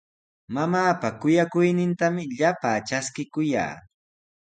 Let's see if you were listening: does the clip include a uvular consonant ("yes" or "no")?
no